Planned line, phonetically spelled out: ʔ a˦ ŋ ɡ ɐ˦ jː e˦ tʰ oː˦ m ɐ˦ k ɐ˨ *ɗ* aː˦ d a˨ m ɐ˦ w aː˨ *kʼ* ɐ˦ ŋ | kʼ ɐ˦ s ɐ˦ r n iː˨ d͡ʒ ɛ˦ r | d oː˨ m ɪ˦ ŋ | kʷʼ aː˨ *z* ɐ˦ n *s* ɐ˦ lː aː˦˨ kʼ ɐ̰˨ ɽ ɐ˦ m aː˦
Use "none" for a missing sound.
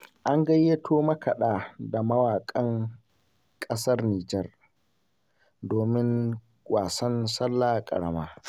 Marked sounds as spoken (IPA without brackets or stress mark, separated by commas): ɗ, kʼ, s, s